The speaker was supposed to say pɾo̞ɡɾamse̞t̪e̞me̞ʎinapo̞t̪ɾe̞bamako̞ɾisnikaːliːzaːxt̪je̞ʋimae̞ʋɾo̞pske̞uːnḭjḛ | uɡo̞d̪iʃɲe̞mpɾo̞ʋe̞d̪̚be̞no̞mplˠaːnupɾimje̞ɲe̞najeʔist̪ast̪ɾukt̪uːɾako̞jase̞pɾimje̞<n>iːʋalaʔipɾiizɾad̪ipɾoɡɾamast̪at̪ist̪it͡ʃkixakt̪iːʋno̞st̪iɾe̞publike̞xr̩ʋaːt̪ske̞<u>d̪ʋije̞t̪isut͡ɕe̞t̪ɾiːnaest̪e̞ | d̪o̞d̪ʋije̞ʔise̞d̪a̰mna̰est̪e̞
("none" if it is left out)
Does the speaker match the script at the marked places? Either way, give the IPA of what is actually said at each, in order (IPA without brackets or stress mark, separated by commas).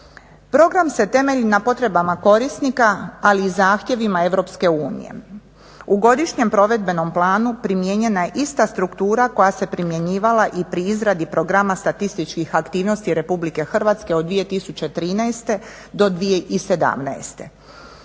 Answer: ɲ, o